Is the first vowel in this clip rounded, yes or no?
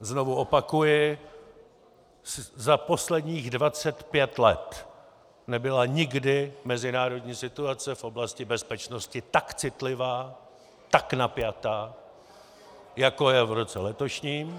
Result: yes